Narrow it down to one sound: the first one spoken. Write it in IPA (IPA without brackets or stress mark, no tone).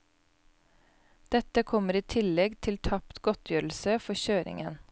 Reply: d̪̥